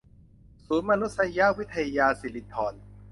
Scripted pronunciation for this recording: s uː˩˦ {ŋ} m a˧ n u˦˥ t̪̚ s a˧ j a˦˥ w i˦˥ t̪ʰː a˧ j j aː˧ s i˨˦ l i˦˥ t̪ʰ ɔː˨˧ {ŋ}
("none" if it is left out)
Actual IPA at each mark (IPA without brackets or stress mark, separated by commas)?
n, n